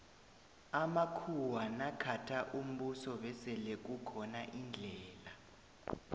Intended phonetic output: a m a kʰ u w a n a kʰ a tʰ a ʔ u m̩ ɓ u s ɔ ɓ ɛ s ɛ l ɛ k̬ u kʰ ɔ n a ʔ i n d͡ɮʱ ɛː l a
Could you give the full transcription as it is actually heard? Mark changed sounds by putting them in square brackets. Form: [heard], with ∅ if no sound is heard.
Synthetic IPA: a m a kʰ u w a n a kʰ a tʰ a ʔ u m̩ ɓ u s ɔ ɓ ɛ s ɛ l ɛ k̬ u kʰ ɔ n a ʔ i n d͡ɮʱ ɛː l a